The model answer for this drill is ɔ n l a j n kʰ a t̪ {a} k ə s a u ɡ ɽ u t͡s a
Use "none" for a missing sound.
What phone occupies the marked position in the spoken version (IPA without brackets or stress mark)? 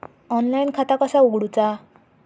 a